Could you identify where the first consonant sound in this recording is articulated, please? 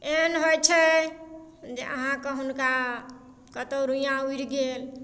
alveolar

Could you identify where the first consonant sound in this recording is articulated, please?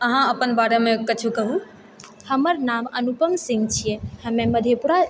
glottal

